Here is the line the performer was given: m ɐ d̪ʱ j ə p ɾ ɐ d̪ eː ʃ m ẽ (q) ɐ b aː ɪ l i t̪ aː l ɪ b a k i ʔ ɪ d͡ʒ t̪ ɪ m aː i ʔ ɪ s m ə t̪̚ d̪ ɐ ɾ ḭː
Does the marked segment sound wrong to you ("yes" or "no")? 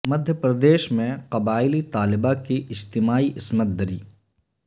no